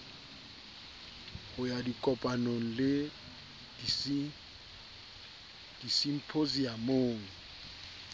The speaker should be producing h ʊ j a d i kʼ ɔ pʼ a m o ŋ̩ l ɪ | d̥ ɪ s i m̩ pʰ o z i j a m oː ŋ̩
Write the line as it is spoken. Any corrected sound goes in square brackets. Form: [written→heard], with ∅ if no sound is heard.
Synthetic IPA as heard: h ʊ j a d i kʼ ɔ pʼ a [m→n] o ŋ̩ l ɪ | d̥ [ɪ→i] s i m̩ pʰ o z i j a m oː ŋ̩

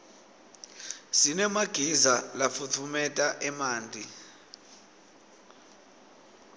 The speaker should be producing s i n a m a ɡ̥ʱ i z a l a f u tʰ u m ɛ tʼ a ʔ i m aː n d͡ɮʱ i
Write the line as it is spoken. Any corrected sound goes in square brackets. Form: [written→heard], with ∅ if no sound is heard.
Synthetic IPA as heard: s i n [a→ɛ] m a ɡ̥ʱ i z a l a f u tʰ u m ɛ tʼ a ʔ [i→ɛ] m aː n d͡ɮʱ i

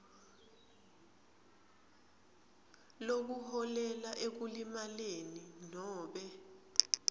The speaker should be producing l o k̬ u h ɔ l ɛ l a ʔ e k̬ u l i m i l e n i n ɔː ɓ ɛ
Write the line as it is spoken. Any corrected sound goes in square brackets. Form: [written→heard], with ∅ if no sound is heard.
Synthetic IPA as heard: l o k̬ u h ɔ l ɛ l a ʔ e k̬ u l i m [i→a] l e n i n ɔː ɓ ɛ

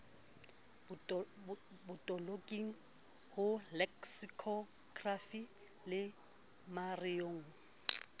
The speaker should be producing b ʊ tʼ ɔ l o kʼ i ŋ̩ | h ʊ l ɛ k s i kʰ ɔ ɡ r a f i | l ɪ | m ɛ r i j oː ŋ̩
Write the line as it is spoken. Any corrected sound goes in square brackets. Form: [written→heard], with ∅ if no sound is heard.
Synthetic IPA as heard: b ʊ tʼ ɔ l o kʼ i ŋ̩ | h ʊ l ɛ k s i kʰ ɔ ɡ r a f i | l ɪ | m [ɛ→a] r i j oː ŋ̩

